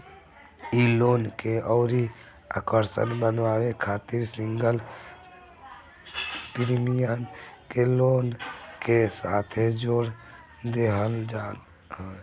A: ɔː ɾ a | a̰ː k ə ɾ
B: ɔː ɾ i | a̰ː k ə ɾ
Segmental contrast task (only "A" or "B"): B